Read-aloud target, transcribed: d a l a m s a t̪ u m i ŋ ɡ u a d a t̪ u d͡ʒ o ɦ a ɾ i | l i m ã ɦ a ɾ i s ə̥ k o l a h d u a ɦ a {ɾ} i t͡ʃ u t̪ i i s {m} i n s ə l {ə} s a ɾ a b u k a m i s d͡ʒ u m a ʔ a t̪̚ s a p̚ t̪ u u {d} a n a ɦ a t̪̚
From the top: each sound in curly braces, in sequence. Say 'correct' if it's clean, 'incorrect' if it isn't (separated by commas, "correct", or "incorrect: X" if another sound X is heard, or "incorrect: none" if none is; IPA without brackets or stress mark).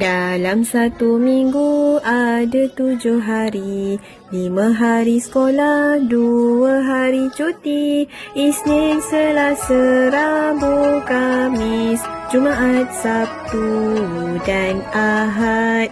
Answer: correct, incorrect: n, incorrect: a, correct